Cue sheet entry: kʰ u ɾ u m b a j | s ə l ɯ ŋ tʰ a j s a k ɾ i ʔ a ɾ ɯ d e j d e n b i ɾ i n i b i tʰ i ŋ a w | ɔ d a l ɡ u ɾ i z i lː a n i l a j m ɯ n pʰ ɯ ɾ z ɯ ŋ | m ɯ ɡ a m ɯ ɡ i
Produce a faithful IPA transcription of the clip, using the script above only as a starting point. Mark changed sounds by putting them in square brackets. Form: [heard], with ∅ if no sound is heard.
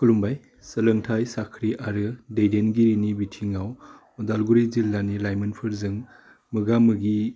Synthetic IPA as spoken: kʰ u [l] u m b a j | s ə l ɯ ŋ tʰ a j s a [kʰ] ɾ i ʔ a ɾ ɯ d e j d e n [ɡ] i ɾ i n i b i tʰ i ŋ a w | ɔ d a l ɡ u ɾ i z i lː a n i l a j m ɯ n pʰ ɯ ɾ z ɯ ŋ | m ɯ ɡ a m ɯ ɡ i